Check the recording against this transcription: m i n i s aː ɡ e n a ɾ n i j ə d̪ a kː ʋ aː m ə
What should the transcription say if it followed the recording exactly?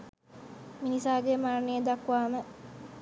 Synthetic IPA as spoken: m i n i s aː ɡ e m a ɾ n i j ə d̪ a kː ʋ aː m ə